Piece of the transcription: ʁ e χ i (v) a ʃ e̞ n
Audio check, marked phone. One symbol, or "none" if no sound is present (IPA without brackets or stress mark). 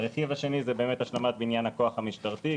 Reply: v